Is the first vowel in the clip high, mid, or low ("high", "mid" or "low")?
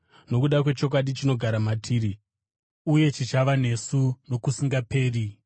mid